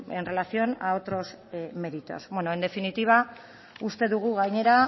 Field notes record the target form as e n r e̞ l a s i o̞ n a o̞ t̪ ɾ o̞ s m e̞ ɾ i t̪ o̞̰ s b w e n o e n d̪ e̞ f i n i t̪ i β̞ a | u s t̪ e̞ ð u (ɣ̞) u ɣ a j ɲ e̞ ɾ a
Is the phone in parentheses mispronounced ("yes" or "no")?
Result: no